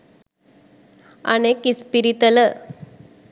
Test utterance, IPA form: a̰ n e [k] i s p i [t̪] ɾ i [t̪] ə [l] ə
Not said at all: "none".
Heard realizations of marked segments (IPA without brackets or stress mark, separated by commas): k, none, t̪, l